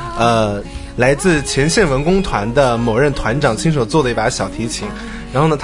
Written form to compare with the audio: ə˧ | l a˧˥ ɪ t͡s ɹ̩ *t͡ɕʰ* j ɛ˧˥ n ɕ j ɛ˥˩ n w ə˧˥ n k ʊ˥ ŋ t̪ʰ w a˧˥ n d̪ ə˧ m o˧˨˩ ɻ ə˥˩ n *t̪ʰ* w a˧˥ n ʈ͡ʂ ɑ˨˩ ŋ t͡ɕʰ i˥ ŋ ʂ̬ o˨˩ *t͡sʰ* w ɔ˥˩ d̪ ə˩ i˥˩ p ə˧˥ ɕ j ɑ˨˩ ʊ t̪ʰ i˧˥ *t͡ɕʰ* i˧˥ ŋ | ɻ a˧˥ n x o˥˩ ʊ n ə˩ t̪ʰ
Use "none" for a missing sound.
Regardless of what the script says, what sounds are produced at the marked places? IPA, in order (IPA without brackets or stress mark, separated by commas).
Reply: t͡ɕʰ, t̪ʰ, t͡s, t͡ɕʰ